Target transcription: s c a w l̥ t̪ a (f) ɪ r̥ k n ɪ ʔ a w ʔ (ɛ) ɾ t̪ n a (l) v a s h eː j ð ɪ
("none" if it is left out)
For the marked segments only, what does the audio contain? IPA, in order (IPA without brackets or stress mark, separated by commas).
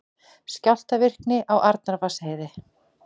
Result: v, a, ɾ